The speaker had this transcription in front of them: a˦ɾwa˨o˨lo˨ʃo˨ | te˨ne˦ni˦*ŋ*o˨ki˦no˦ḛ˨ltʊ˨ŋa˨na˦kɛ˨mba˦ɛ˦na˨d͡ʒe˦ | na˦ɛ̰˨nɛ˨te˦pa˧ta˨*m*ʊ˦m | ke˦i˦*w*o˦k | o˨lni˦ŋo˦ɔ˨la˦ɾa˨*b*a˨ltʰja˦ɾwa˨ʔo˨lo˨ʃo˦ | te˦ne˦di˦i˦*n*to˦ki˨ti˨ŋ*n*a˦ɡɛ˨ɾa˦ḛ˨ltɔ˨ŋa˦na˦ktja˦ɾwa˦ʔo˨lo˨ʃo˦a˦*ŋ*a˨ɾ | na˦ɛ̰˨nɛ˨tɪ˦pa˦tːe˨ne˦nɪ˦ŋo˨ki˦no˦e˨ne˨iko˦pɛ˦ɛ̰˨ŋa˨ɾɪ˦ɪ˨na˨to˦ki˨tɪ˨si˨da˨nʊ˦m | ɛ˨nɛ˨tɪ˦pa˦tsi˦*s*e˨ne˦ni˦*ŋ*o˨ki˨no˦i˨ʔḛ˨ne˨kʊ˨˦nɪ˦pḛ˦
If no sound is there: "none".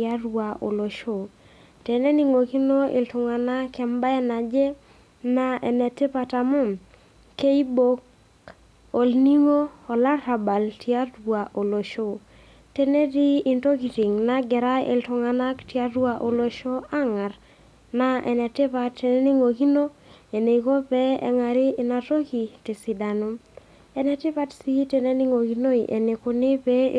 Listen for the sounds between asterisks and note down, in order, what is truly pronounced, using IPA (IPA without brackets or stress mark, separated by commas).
ŋ, m, b, b, n, n, ŋ, t, ŋ